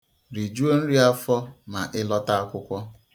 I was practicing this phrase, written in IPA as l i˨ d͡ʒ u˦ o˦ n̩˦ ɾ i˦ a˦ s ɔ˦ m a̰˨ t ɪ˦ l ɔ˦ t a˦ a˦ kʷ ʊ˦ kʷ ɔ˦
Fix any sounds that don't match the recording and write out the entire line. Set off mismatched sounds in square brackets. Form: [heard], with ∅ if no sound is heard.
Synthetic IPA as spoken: [ɾ] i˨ d͡ʒ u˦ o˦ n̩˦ ɾ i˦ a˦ [f] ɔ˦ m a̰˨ [ʔ] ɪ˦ l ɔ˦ t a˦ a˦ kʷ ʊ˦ kʷ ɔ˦